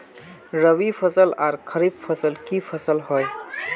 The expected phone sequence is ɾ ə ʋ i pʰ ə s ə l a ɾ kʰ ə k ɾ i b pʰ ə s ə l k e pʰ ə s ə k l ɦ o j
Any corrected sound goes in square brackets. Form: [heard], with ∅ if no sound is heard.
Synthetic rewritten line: ɾ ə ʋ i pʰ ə s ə l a ɾ kʰ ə [∅] ɾ i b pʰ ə s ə l k [i] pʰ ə s ə [∅] l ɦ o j